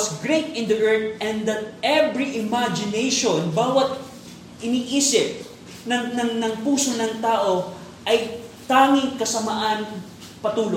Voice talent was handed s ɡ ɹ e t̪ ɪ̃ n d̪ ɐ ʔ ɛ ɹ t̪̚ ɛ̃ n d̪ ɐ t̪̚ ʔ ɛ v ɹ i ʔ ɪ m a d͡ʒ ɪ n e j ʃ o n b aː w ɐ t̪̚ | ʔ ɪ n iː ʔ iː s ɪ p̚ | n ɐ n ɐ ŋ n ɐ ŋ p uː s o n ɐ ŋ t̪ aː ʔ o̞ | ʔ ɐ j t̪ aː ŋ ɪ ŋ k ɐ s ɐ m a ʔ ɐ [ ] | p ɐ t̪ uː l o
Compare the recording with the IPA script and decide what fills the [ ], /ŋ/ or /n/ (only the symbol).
n